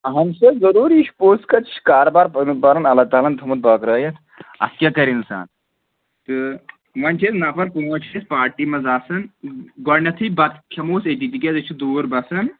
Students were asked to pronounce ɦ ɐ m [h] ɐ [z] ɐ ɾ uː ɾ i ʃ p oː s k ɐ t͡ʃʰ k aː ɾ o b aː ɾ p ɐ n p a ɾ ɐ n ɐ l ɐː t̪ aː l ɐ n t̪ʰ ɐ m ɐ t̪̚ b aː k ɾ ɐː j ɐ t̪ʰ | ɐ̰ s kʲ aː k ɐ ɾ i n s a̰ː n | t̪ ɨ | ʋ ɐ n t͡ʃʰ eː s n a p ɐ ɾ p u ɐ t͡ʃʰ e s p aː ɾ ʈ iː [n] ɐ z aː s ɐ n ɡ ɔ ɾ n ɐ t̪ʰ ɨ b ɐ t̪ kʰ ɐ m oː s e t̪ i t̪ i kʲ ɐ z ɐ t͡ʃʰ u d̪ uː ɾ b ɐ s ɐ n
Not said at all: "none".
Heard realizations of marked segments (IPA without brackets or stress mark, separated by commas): s, z, m